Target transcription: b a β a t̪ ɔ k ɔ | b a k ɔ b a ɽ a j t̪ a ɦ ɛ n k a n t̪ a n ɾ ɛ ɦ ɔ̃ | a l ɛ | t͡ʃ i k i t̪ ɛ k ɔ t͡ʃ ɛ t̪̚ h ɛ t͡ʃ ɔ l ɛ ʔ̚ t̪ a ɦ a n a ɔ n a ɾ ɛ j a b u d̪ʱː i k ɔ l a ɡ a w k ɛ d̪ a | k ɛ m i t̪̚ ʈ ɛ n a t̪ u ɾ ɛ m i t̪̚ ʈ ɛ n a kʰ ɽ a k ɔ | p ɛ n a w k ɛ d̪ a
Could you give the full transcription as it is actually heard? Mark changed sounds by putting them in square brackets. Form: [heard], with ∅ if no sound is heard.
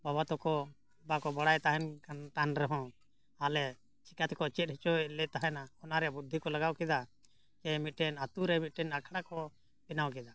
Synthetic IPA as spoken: b a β a t̪ ɔ k ɔ | b a k ɔ b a ɽ a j t̪ a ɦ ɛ n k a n t̪ a n ɾ ɛ ɦ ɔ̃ | a l ɛ | t͡ʃ i k [a] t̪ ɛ k ɔ t͡ʃ ɛ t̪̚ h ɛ t͡ʃ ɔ l ɛ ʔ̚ t̪ a ɦ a n a ɔ n a ɾ ɛ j a b u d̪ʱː i k ɔ l a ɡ a w k ɛ d̪ a | k ɛ m i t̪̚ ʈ ɛ n a t̪ u ɾ ɛ m i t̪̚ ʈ ɛ n a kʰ ɽ a k ɔ | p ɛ n a w k ɛ d̪ a